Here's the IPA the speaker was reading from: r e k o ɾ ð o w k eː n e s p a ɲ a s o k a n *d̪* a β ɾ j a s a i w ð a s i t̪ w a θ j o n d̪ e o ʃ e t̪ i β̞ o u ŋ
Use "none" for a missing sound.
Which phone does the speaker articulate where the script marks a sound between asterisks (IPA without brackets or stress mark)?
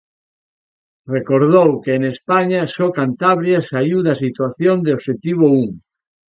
t̪